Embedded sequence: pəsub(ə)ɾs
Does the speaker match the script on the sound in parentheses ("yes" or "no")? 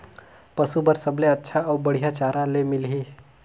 yes